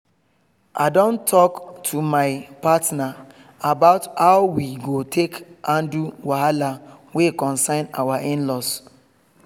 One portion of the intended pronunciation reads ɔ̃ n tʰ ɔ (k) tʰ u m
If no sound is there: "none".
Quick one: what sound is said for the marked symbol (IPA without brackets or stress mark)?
k